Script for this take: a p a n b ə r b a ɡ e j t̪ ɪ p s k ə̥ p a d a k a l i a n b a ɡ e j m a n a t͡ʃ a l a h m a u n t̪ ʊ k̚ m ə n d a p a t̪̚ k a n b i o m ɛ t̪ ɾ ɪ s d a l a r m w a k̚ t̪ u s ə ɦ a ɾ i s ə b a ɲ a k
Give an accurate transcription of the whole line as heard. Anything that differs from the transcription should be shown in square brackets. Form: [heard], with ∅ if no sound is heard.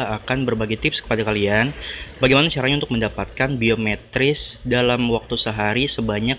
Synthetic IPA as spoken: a [k] a n b ə r b a ɡ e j t̪ ɪ p s k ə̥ p a d a k a l i a n b a ɡ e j m a n a t͡ʃ a [ɾ] a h [ɲ] a u n t̪ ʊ k̚ m ə n d a p a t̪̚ k a n b i o m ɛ t̪ ɾ ɪ s d a l a [∅] m w a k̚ t̪ u s ə ɦ a ɾ i s ə b a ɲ a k